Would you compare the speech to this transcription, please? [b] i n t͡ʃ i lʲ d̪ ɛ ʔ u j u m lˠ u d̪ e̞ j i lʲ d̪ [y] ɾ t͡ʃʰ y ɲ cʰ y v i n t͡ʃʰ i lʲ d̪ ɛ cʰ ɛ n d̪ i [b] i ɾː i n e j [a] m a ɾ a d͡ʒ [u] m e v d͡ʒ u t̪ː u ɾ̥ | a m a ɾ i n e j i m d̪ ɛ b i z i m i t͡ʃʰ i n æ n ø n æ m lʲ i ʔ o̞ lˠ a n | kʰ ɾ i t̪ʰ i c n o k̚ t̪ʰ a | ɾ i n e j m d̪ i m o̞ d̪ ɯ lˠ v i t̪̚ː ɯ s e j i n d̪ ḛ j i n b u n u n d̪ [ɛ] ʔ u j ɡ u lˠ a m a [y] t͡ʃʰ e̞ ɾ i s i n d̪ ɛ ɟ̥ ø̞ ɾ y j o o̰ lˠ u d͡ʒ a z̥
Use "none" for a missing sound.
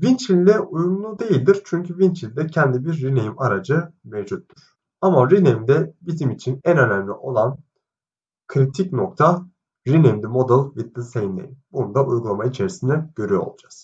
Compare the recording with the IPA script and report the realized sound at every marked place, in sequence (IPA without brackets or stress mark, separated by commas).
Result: v, i, b, i, ɯ, a, i